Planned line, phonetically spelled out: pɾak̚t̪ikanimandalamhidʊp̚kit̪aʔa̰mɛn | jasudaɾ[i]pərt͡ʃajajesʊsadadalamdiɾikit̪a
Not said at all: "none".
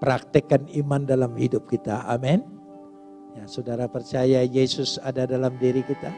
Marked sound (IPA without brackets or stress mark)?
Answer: a